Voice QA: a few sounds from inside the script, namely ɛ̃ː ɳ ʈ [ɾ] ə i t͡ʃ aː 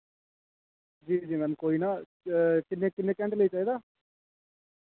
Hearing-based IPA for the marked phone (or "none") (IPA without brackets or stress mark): l